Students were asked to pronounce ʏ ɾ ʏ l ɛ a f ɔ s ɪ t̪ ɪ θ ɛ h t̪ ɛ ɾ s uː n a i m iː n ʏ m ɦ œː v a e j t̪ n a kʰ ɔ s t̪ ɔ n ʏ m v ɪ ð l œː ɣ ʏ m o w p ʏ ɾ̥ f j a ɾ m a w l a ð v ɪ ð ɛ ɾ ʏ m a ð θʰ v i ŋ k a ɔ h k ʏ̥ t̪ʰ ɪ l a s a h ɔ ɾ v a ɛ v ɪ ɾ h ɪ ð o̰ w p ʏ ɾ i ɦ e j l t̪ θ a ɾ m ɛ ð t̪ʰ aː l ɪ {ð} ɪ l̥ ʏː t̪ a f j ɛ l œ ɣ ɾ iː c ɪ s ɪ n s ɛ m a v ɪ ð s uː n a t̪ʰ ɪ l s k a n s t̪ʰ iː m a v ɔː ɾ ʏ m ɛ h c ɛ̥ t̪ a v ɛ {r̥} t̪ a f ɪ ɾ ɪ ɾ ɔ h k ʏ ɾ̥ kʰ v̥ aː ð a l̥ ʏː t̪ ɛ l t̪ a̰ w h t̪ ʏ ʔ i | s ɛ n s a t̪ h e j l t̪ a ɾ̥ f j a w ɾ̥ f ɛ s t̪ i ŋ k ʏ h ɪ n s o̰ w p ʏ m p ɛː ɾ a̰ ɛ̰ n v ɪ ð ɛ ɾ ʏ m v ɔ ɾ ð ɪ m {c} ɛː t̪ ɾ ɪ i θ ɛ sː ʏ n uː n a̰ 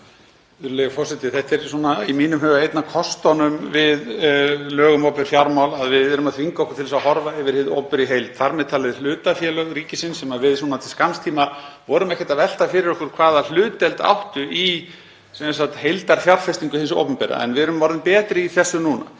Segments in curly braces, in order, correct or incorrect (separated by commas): correct, incorrect, incorrect